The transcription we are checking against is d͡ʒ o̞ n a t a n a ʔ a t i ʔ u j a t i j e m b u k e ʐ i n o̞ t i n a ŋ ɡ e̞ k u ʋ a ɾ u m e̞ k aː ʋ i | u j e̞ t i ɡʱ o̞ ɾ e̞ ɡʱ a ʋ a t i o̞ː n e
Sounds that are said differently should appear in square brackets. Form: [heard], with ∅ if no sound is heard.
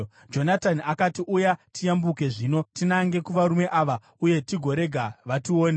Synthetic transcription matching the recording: d͡ʒ o̞ n a t a n a [k] a t i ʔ u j a t i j [a] m b u k e ʐ i n o̞ t i n a ŋ ɡ e̞ k u ʋ a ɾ u m e̞ [ʔ] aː ʋ [a] | u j e̞ t i ɡʱ o̞ ɾ e̞ ɡʱ a ʋ a t i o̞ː n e